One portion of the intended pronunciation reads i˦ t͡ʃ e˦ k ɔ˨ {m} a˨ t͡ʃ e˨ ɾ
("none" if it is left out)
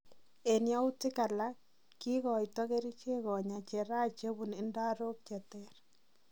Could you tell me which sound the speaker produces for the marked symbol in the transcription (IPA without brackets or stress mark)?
ɲ